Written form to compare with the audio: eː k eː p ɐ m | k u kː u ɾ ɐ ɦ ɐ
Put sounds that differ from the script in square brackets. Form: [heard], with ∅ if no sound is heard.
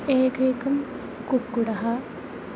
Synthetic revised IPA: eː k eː [k] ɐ m | k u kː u [ɽ] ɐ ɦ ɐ